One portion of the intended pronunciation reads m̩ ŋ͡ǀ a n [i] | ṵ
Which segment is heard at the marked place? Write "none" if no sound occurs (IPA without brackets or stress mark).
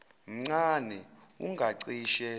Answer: ɛ